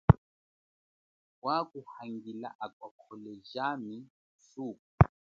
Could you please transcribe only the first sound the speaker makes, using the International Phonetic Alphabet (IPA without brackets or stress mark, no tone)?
w